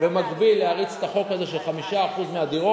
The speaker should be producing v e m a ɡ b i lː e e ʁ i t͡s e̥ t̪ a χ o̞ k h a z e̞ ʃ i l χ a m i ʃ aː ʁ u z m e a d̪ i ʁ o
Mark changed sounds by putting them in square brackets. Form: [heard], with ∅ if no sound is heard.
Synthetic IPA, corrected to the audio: v e m a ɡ b i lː e [a] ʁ i t͡s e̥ t̪ a χ o̞ k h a z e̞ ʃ [e] l χ a m i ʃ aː [χ] u z m e a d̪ i ʁ o